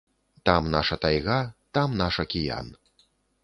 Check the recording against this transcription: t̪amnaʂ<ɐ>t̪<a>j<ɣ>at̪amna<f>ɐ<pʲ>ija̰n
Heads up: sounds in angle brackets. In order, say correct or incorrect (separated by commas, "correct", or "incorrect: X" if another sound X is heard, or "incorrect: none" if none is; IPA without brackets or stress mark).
correct, correct, correct, incorrect: ʂ, incorrect: kʲ